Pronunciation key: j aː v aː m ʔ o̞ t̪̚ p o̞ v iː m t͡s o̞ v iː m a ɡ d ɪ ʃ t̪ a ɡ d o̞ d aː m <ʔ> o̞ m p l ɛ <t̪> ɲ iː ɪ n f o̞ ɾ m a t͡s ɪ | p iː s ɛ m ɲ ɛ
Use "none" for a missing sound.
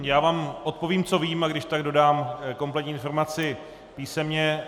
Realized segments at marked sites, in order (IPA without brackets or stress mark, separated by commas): k, t̪